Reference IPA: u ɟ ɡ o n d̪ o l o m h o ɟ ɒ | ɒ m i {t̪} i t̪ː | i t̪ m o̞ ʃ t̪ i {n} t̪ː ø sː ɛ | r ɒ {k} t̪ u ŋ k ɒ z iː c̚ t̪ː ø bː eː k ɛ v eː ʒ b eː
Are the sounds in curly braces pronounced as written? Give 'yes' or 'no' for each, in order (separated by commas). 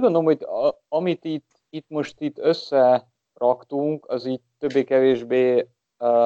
yes, no, yes